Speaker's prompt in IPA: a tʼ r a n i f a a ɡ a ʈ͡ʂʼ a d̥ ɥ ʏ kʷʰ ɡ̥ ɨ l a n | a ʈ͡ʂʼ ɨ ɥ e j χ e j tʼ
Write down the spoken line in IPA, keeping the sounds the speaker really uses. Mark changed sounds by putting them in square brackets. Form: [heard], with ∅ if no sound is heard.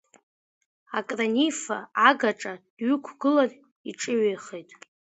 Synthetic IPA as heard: a [kʼ] r a n i f a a ɡ a ʈ͡ʂʼ a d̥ ɥ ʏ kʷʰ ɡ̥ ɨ l a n | [i] ʈ͡ʂʼ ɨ ɥ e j χ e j tʼ